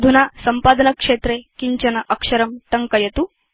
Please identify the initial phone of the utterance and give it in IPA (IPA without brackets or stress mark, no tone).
d̪ʱ